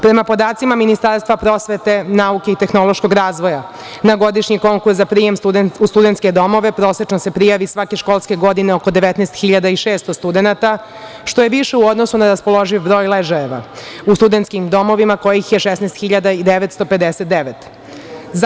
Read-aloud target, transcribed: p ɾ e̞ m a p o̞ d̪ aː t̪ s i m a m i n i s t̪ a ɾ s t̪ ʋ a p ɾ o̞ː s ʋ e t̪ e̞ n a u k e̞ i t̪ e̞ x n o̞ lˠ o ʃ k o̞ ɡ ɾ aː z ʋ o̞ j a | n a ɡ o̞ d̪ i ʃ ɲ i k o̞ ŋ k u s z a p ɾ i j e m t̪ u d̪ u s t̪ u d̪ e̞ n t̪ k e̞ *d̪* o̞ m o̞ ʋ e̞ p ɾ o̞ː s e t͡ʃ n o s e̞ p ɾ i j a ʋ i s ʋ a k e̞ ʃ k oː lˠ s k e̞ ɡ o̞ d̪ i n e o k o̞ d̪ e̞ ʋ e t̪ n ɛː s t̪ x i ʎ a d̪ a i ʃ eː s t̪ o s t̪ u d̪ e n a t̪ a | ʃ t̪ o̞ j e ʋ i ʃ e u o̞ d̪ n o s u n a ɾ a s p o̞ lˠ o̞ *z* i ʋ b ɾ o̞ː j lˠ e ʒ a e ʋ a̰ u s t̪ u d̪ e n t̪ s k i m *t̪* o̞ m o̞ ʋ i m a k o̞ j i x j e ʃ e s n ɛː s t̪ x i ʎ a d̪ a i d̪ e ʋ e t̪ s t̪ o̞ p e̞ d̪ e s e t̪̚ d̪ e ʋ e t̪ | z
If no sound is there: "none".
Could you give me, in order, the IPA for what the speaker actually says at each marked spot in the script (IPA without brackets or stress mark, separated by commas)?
d̪, ʒ, d̪